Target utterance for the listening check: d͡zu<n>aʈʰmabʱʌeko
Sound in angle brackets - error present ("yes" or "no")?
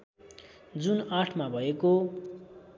no